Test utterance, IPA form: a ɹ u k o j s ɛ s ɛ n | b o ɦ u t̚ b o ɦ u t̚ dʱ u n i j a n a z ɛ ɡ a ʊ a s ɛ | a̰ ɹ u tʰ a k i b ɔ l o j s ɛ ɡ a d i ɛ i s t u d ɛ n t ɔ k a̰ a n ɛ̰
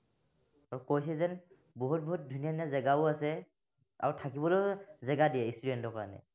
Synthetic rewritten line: a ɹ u k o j s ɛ z ɛ n | b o ɦ u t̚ b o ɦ u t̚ dʱ u n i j a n a z ɛ ɡ a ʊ a s ɛ | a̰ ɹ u tʰ a k i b ɔ l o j z ɛ ɡ a d i ɛ i s t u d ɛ n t ɔ k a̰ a n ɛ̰